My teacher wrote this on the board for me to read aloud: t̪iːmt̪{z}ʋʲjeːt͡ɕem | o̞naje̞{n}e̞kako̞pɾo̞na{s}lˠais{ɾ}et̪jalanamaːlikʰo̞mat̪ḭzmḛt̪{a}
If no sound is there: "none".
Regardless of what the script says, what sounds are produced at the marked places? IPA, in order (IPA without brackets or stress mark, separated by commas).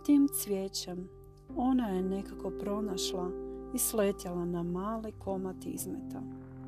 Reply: s, n, ʃ, l, a